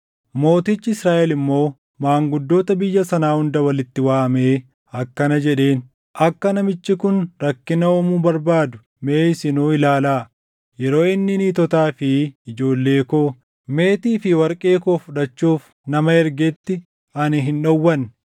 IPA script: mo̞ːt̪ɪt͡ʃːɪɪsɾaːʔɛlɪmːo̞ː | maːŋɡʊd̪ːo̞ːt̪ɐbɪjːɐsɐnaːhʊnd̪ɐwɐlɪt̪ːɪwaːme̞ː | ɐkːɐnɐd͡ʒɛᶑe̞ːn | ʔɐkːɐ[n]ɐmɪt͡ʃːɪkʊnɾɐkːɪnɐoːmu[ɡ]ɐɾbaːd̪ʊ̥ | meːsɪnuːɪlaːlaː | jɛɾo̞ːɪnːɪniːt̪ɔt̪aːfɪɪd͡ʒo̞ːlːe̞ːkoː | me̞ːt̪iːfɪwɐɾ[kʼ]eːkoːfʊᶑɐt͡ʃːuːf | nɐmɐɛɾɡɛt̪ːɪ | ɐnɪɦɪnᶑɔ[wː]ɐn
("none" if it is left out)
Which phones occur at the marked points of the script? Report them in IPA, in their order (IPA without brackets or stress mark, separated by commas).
n, b, kʼ, wː